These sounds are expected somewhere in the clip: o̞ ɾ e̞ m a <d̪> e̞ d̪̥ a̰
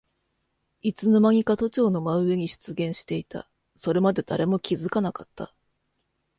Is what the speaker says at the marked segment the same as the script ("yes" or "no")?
yes